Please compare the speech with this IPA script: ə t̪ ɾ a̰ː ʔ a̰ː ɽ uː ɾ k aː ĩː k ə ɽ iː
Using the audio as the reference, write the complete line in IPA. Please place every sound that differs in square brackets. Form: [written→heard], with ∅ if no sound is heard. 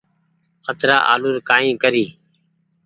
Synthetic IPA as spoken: ə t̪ ɾ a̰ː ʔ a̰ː [ɽ→l] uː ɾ k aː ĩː k ə [ɽ→ɾ] iː